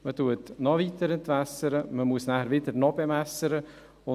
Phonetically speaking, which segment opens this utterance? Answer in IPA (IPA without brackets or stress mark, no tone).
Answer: m